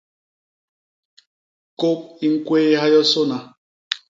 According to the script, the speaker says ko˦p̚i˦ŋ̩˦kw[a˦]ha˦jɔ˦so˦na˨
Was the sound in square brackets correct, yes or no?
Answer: no